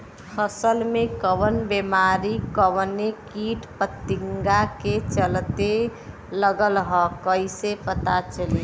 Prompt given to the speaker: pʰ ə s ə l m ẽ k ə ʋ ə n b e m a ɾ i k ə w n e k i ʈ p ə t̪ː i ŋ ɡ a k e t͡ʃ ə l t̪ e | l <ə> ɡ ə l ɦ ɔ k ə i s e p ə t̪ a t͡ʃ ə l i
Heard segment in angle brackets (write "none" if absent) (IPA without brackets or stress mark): ə